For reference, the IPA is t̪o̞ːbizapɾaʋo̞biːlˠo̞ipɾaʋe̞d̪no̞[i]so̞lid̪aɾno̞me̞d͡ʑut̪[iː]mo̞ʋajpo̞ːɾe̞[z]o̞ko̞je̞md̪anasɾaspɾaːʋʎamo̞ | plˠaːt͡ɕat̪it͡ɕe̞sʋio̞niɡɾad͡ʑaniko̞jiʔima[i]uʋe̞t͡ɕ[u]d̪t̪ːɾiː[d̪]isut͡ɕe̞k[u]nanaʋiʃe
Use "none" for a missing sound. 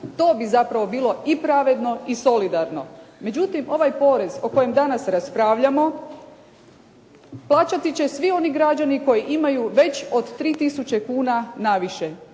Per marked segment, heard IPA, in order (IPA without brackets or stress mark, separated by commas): i, i, z, j, o, t̪, uː